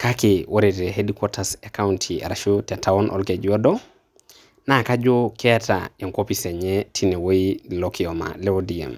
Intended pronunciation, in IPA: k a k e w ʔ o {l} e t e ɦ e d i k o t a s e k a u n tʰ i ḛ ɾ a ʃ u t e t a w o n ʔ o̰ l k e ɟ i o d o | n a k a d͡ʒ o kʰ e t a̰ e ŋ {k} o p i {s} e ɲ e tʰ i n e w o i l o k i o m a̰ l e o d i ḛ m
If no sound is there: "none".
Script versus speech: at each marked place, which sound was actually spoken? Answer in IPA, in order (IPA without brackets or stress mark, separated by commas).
ɾ, k, s